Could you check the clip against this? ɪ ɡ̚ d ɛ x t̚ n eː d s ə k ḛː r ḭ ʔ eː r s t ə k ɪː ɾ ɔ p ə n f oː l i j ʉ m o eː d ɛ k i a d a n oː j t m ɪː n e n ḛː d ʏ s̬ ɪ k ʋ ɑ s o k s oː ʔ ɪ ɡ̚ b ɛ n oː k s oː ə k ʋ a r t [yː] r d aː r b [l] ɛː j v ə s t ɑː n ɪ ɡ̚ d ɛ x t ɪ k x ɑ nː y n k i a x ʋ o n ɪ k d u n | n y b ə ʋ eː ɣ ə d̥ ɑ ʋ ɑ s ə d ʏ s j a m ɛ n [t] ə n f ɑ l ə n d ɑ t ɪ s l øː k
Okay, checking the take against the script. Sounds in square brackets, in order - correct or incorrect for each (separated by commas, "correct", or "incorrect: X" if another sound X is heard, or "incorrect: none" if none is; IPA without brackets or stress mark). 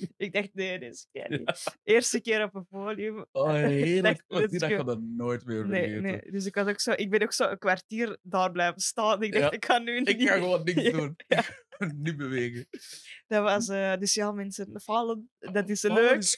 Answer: incorrect: iː, correct, incorrect: s